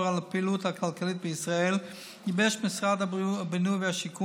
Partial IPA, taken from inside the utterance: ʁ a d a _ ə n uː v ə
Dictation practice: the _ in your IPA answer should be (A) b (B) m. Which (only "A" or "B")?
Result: A